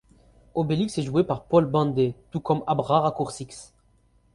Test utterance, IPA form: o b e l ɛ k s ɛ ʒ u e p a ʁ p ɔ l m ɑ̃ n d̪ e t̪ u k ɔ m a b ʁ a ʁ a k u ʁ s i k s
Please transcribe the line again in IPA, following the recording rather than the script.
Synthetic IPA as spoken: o b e l i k s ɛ ʒ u e p a ʁ p ɔ l b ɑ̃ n d̪ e t̪ u k ɔ m a b ʁ a ʁ a k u ʁ s i k s

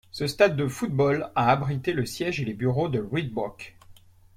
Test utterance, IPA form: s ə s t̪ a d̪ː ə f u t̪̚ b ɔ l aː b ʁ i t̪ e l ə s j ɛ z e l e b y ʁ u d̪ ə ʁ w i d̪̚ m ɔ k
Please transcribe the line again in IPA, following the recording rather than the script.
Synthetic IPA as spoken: s ə s t̪ a d̪ː ə f u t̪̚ b ɔ l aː b ʁ i t̪ e l ə s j ɛ ʒ e l e b y ʁ o d̪ ə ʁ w i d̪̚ b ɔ k

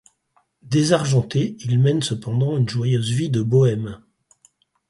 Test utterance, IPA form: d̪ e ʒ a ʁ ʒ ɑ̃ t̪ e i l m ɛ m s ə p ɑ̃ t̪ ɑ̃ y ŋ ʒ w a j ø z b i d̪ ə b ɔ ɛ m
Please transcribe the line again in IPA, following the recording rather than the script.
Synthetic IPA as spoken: d̪ e z a ʁ ʒ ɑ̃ t̪ e i l m ɛ n s ə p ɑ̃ d̪ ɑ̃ y n ʒ w a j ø z v i d̪ ə b ɔ ɛ m

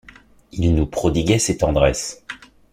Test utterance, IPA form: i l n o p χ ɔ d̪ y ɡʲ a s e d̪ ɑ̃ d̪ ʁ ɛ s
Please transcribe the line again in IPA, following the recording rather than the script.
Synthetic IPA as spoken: i l n u p χ ɔ d̪ i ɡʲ ɛ s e t̪ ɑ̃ d̪ ʁ ɛ s

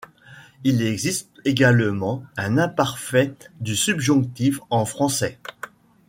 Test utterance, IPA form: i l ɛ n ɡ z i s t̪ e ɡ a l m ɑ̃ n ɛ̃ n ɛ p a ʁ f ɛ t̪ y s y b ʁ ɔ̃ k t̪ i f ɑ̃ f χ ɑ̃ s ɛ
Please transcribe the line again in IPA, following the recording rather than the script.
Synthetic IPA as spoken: i l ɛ ɡ z i s t̪ e ɡ a l m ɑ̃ ɛ̃ n ɛ̃ p a ʁ f ɛ d̪ y s y b ʒ ɔ̃ k t̪ i f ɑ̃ f χ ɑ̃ s ɛ

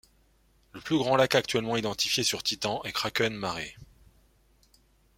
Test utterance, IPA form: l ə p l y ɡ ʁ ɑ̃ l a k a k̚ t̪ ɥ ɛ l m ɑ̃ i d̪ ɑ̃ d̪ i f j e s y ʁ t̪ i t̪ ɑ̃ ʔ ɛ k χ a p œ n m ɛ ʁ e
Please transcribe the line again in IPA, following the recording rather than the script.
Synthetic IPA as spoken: l ə p l y ɡ ʁ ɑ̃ l a k a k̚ t̪ ɥ ɛ l m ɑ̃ i d̪ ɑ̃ t̪ i f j e s y ʁ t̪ i t̪ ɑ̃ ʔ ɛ k χ a k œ n m a ʁ e

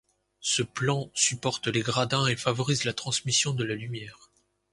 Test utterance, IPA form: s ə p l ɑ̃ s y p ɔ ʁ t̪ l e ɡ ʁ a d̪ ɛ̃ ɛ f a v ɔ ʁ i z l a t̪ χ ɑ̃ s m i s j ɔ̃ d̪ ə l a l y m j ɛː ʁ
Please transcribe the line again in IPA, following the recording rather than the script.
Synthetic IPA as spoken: s ə p l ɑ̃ s y p ɔ ʁ t̪ l e ɡ ʁ a d̪ ɛ̃ e f a v ɔ ʁ i z l a t̪ χ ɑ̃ s m i s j ɔ̃ d̪ ə l a l y m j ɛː ʁ

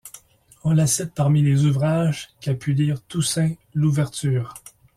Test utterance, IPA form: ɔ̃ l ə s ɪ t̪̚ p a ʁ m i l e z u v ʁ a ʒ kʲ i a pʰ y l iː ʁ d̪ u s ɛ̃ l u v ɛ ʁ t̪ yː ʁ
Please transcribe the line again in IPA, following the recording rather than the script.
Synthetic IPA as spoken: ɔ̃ l a s ɪ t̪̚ p a ʁ m i l e z u v ʁ a ʒ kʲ i a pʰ y l iː ʁ t̪ u s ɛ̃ l u v ɛ ʁ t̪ yː ʁ

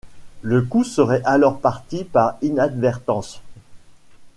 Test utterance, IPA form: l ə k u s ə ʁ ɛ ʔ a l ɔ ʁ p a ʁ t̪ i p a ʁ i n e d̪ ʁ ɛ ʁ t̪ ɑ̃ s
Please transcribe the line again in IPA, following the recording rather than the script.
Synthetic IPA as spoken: l ə k u s ə ʁ ɛ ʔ a l ɔ ʁ p a ʁ t̪ i p a ʁ i n a d̪ v ɛ ʁ t̪ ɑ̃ s

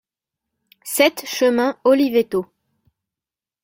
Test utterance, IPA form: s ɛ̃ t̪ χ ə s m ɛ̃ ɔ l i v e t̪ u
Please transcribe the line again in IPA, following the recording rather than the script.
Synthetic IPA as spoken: s ɛ t̪ ʃ ə m ɛ̃ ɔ l i v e t̪ o

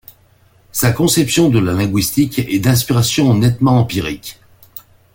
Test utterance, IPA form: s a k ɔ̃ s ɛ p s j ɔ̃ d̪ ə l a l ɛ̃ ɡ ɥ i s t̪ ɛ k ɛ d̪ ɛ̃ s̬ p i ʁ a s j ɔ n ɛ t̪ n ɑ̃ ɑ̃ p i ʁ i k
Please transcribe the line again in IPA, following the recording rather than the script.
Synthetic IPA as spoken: s a k ɔ̃ s ɛ p s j ɔ̃ d̪ ə l a l ɛ̃ ɡ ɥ i s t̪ i k ɛ d̪ ɛ̃ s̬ p i ʁ a s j ɔ̃ n ɛ t̪ m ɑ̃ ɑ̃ p i ʁ i k

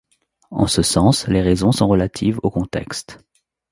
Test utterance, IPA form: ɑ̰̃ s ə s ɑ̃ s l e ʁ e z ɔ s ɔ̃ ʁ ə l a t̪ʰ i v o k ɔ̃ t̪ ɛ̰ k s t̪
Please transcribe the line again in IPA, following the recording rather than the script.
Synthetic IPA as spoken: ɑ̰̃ s ə s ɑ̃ s l e ʁ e z ɔ̃ s ɔ̃ ʁ ə l a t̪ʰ i v o k ɔ̃ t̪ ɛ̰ k s t̪

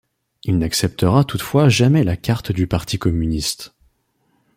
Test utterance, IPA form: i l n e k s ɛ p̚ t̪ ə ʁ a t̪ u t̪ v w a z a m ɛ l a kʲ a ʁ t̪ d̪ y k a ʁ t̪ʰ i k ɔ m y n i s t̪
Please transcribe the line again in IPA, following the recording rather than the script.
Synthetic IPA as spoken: i l n a k s ɛ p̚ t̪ ə ʁ a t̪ u t̪ f w a ʒ a m ɛ l a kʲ a ʁ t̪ d̪ y p a ʁ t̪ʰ i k ɔ m y n i s t̪

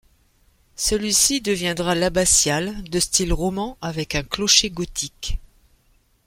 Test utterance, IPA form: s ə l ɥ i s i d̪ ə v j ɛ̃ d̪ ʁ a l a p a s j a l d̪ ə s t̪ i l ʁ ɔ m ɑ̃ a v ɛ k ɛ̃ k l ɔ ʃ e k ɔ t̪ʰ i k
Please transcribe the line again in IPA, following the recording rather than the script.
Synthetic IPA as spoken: s ə l ɥ i s i d̪ ə v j ɛ̃ d̪ ʁ a l a b a s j a l d̪ ə s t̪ i l ʁ ɔ m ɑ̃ a v ɛ k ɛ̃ k l ɔ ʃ e ɡ ɔ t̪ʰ i k

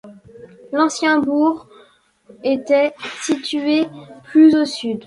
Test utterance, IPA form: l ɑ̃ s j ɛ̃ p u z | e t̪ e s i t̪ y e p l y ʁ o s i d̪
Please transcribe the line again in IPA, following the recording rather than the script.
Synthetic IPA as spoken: l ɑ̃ s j ɛ̃ b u ʁ | e t̪ ɛ s i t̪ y e p l y z o s y d̪

